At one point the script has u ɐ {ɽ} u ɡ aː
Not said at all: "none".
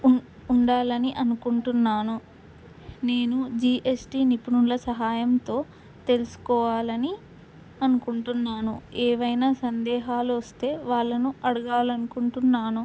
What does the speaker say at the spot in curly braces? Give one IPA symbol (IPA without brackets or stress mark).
ɽ